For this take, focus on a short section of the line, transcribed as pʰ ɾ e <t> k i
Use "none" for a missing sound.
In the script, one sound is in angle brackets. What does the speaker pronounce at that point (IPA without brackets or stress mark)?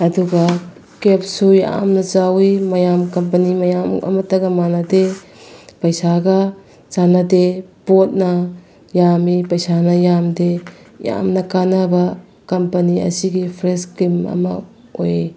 s